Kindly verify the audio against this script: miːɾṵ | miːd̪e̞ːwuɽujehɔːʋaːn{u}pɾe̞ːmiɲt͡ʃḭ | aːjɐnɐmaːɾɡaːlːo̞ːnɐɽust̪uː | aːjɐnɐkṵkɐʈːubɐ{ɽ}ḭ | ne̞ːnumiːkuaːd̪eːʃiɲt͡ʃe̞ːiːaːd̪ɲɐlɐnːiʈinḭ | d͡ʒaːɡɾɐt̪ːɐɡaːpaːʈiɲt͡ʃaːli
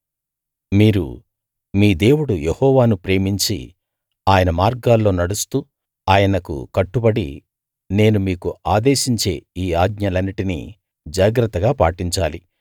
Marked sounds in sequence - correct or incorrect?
correct, correct

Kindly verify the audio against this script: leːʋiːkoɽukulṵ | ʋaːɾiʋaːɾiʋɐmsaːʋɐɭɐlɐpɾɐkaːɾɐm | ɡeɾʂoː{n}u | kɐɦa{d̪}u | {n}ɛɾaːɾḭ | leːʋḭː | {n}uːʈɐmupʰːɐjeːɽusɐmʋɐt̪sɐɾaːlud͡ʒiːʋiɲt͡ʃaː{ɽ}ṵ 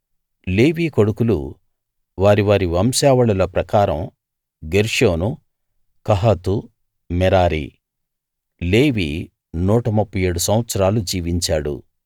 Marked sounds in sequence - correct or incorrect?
correct, incorrect: t̪, incorrect: m, correct, correct

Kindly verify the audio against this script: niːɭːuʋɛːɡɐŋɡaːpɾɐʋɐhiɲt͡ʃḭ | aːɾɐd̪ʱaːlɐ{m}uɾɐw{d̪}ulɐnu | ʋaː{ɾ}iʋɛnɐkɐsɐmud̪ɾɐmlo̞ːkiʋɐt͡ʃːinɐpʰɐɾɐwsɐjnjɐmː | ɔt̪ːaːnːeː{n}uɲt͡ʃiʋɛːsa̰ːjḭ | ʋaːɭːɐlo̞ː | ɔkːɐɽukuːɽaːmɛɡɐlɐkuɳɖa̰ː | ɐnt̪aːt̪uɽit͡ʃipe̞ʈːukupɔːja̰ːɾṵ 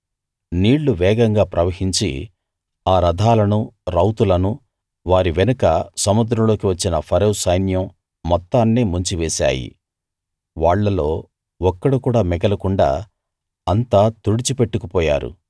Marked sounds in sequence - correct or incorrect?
incorrect: n, incorrect: t̪, correct, incorrect: m

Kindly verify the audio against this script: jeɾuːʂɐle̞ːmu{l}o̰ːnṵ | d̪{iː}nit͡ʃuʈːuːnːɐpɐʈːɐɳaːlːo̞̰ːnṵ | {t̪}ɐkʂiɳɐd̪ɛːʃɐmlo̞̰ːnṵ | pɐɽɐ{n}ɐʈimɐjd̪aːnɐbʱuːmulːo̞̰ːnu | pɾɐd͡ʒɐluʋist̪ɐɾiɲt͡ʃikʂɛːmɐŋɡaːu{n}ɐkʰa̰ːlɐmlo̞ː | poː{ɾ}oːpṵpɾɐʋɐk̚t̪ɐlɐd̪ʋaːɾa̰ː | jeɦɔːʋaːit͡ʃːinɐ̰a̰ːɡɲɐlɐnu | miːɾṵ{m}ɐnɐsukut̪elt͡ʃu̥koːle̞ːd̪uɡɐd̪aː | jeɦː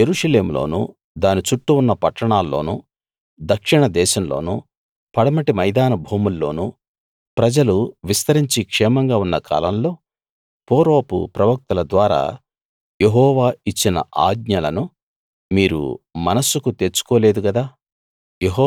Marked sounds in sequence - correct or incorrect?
correct, incorrect: aː, incorrect: d̪, incorrect: m, incorrect: nː, correct, correct

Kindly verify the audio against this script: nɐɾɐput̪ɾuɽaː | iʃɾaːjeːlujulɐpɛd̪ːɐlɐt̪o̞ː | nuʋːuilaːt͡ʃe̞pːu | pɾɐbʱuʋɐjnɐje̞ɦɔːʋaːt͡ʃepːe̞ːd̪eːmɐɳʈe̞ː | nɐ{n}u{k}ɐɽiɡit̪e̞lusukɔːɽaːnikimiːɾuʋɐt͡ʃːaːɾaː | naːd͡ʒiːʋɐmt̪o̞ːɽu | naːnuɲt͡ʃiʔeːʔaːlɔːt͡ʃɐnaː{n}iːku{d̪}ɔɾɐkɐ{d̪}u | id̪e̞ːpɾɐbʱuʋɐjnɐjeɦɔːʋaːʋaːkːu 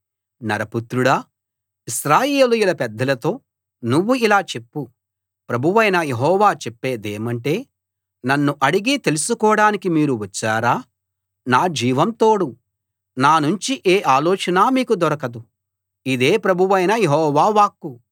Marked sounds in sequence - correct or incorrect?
incorrect: nː, incorrect: ʔ, incorrect: m, correct, correct

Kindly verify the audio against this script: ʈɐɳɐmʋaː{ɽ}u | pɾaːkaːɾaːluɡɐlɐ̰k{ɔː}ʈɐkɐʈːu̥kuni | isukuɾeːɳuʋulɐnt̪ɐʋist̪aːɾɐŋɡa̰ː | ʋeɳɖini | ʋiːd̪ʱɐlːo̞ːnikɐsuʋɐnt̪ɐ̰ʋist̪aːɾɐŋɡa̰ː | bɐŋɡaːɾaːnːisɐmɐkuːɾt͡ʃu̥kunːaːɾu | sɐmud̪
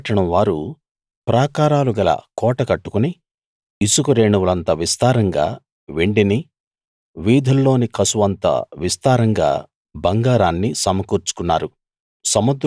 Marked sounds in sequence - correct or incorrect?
incorrect: ɾ, correct

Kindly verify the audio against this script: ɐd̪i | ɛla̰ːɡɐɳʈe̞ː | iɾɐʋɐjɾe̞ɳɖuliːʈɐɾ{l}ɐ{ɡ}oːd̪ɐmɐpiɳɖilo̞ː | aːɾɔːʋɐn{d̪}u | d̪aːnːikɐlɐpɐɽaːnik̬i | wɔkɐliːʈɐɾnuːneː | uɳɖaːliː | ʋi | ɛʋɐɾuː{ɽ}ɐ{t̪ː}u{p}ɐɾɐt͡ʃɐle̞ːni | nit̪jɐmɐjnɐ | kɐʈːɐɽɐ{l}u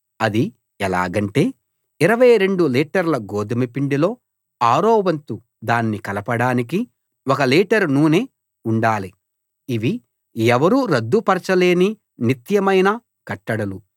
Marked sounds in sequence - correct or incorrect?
correct, correct, incorrect: t̪, incorrect: ɾ, incorrect: d̪ː, correct, correct

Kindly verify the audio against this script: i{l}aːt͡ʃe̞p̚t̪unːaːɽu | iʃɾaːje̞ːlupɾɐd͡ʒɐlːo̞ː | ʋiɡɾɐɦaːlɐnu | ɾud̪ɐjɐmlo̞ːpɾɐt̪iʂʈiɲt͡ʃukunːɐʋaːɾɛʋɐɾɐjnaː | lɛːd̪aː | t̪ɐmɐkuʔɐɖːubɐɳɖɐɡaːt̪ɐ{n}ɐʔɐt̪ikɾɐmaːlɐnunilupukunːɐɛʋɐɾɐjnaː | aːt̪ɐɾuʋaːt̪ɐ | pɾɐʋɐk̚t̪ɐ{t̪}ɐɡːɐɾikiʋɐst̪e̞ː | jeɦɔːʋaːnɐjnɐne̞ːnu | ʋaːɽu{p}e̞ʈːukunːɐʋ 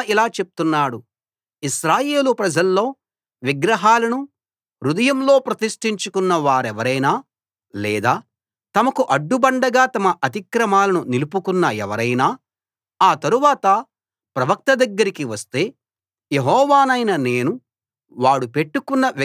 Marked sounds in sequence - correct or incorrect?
correct, incorrect: m, incorrect: d̪, correct

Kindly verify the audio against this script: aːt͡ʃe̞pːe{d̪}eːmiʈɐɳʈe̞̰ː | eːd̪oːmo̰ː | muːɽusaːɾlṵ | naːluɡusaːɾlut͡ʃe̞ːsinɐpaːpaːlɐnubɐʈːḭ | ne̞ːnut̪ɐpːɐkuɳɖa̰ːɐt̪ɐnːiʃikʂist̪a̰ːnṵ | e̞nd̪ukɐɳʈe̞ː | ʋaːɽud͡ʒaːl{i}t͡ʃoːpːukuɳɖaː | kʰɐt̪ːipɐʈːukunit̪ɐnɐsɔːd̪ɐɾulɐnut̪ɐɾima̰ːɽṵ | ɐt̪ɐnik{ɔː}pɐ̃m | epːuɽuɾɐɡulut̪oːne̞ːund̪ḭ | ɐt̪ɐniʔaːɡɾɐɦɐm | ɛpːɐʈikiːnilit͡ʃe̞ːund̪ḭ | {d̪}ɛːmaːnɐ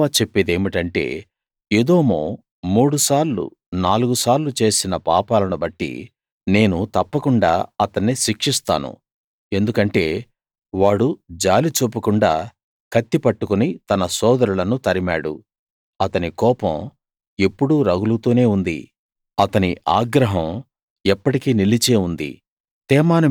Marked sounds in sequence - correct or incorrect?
correct, correct, correct, incorrect: t̪

